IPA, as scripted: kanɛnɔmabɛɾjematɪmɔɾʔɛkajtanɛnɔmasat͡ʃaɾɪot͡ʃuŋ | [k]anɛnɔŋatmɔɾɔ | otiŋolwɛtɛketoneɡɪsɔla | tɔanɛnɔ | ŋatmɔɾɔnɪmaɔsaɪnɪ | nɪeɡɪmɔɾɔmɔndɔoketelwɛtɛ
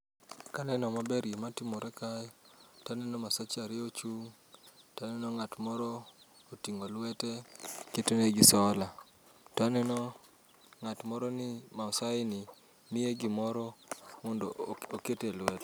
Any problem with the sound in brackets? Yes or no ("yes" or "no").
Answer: yes